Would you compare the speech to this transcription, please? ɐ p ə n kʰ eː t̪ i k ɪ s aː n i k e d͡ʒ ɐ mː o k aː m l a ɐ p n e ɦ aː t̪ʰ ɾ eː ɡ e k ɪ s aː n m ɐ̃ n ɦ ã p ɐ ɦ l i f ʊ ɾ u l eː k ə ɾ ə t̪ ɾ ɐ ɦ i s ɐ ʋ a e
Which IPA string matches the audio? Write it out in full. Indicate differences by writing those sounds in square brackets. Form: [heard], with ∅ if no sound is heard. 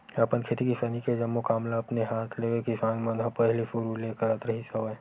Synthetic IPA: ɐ p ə n kʰ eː t̪ i k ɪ s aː n i k e d͡ʒ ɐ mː o k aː m l a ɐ p n e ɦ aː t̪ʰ [l] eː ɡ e k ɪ s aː n m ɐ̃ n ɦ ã p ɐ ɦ l i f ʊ ɾ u l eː k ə ɾ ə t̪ ɾ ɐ ɦ i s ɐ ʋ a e

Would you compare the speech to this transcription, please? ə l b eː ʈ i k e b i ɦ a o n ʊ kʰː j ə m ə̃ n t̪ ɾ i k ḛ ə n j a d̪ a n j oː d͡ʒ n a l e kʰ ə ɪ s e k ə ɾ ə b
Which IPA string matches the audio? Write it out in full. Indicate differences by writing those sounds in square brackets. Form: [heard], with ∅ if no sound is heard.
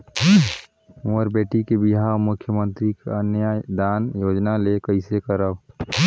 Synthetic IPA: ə [ɾ] b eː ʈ i k e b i ɦ a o [m] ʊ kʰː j ə m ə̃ n t̪ ɾ i k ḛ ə n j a d̪ a n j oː d͡ʒ n a l e [k] ə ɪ s e k ə ɾ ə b

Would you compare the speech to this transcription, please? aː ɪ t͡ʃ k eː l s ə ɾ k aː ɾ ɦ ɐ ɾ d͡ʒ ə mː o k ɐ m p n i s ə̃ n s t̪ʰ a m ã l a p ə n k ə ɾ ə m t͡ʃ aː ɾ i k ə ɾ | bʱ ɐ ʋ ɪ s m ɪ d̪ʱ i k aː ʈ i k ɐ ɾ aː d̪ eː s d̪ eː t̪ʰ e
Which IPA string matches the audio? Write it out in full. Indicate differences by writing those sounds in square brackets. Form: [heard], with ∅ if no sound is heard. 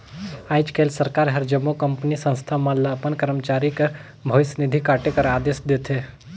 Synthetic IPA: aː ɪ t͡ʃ k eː l s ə ɾ k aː ɾ ɦ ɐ ɾ d͡ʒ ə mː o k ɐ m p n i s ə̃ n s t̪ʰ a m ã l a p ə n k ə ɾ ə m t͡ʃ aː ɾ i k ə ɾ | bʱ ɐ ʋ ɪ s [n] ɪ d̪ʱ i k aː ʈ [e] k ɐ ɾ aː d̪ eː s d̪ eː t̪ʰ e

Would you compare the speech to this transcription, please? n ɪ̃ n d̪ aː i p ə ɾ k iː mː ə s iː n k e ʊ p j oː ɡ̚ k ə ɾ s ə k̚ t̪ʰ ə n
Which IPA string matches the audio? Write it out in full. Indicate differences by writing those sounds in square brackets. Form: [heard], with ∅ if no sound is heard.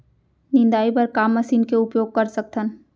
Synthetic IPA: n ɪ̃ n d̪ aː i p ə ɾ k [aː] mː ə s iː n k e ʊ p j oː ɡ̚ k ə ɾ s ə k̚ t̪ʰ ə n

